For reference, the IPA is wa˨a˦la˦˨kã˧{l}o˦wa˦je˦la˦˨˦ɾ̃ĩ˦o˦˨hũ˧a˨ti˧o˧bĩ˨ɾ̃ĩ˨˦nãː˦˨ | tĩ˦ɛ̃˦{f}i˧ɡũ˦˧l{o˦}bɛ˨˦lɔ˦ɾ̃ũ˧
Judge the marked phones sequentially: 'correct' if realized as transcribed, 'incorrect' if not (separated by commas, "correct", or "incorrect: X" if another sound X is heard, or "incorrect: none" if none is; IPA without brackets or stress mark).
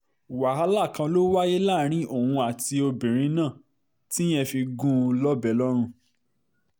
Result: correct, correct, incorrect: ɔ˦